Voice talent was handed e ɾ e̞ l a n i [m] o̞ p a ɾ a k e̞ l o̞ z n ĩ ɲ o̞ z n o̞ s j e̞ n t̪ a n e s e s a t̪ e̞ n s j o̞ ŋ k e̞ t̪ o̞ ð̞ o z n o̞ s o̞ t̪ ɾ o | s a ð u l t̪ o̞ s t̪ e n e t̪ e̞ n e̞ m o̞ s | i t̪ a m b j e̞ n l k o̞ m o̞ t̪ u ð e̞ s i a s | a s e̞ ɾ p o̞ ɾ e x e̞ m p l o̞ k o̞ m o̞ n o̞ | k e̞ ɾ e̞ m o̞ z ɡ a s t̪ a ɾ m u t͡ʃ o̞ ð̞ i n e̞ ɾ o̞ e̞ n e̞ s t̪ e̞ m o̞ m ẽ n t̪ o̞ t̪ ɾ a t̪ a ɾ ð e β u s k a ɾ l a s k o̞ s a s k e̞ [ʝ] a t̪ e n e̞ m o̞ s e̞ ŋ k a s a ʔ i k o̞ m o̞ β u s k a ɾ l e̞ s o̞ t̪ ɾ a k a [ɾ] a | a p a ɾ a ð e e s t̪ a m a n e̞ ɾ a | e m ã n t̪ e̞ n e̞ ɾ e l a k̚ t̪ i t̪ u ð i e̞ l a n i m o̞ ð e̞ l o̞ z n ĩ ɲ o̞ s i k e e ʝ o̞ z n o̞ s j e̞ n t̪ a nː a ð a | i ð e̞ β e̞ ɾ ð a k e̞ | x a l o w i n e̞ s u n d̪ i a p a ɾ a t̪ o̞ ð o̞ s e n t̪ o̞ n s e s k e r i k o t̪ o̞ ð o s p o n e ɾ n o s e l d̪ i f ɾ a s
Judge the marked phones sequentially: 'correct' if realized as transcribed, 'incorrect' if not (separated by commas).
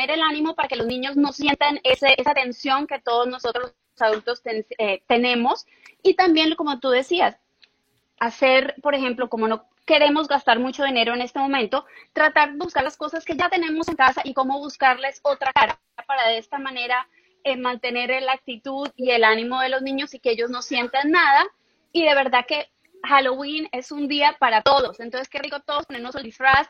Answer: correct, correct, correct